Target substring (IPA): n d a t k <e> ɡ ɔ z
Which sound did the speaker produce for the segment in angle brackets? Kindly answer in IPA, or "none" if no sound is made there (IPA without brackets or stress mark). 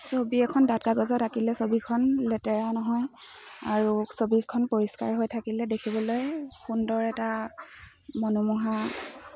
a